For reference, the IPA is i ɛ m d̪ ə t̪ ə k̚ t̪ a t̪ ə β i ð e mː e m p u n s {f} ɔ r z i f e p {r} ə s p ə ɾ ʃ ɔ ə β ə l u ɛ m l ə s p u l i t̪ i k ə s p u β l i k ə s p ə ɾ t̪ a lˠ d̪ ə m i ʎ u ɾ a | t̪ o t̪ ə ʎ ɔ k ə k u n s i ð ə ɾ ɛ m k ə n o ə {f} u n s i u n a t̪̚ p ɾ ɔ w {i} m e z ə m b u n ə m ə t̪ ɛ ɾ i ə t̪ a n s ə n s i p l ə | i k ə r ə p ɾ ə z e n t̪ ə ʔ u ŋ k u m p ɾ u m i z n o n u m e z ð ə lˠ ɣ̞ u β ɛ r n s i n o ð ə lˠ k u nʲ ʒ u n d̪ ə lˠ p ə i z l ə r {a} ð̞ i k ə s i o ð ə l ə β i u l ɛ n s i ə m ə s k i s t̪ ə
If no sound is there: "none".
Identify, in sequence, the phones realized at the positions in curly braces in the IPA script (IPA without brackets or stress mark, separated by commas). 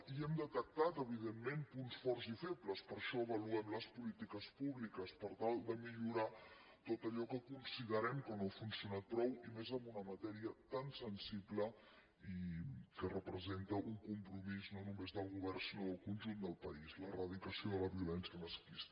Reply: f, l, f, i, ə